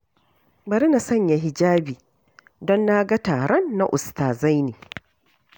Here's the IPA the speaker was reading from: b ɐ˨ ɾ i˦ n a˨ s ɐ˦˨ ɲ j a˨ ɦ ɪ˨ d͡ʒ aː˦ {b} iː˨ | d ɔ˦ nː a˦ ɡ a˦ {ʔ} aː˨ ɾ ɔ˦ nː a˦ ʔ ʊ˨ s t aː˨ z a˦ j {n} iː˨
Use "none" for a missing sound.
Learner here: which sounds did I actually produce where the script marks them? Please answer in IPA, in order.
b, t, n

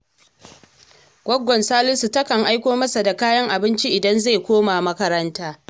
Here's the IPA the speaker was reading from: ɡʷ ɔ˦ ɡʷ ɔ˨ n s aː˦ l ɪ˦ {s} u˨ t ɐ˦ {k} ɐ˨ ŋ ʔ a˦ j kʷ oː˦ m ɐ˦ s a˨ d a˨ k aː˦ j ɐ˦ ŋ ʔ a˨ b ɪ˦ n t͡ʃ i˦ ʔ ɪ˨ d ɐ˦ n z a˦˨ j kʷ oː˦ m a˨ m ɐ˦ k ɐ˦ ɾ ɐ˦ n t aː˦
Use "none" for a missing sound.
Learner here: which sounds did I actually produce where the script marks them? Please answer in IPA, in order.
s, k

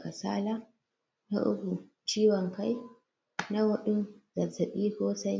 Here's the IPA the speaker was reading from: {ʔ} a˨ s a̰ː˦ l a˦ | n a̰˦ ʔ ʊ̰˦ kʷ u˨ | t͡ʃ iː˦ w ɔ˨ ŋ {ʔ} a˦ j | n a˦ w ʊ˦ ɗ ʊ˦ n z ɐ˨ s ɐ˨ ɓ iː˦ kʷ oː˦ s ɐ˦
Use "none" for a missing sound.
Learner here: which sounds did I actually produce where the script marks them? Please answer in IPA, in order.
k, k

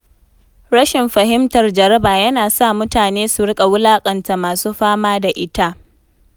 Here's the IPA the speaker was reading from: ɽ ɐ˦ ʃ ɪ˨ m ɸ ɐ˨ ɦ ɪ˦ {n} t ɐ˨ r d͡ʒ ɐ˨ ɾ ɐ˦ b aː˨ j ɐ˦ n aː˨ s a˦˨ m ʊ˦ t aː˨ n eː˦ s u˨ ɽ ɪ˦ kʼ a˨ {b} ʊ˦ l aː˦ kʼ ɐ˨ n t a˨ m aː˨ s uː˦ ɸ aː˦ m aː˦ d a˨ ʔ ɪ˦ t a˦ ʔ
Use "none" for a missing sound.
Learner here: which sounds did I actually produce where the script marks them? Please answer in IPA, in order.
m, w

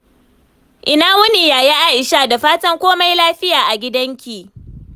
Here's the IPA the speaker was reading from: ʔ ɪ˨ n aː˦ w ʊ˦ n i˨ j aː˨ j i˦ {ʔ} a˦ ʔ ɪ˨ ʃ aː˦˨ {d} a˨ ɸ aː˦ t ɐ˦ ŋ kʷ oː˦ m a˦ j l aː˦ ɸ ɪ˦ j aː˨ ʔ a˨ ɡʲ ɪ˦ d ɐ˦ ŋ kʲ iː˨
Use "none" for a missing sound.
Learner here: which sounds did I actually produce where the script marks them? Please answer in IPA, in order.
ʔ, d

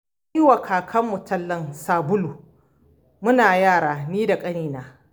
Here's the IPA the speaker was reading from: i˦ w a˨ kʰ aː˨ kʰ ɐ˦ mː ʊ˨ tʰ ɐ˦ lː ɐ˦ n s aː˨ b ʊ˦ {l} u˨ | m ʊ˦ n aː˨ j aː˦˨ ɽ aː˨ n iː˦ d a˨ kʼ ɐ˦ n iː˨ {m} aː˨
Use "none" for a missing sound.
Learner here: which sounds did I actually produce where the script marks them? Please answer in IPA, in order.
l, n

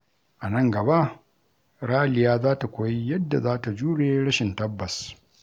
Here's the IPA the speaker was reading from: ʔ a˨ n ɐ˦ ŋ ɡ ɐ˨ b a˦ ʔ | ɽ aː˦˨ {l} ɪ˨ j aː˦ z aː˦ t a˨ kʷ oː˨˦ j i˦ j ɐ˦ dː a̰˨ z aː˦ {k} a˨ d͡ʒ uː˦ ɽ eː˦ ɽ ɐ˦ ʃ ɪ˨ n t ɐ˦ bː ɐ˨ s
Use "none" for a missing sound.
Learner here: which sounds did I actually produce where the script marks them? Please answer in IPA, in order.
l, t

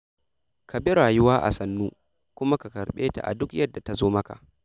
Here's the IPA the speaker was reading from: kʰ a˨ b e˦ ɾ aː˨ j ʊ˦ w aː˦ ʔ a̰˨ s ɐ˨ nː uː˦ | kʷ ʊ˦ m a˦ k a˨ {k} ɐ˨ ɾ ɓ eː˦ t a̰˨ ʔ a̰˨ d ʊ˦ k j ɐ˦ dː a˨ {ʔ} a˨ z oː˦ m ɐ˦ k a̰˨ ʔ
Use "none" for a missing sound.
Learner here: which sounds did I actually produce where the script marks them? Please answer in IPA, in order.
k, t

